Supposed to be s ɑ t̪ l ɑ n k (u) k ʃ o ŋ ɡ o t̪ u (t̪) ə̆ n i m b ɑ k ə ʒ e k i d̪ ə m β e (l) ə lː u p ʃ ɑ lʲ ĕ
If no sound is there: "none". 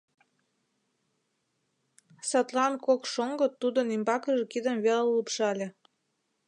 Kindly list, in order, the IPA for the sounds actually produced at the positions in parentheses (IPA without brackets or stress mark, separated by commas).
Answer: o, d̪, l